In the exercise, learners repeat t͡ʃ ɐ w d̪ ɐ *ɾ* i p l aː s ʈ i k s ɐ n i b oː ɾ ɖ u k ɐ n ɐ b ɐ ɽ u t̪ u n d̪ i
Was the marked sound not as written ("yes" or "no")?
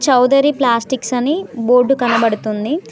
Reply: no